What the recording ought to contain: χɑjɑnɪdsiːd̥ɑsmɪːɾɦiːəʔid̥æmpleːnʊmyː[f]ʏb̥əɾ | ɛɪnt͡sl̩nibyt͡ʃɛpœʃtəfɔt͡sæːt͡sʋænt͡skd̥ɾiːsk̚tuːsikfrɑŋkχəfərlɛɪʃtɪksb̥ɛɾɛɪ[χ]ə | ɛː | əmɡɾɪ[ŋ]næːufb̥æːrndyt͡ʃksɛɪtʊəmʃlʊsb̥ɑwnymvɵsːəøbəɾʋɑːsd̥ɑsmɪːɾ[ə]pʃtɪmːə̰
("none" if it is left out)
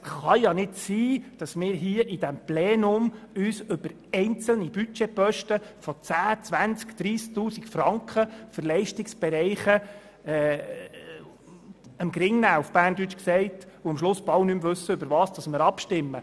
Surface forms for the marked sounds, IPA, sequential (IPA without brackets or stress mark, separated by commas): s, χ, ŋ, ɑ